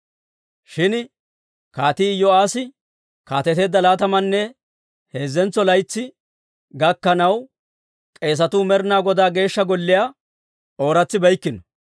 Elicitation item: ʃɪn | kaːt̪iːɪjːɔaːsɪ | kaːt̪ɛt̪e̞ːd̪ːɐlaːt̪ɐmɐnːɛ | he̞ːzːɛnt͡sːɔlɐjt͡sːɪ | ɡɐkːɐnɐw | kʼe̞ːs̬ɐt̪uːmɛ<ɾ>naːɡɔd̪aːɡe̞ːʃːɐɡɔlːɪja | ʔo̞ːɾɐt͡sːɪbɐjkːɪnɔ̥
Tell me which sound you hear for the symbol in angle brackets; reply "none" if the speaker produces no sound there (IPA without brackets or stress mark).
ɾ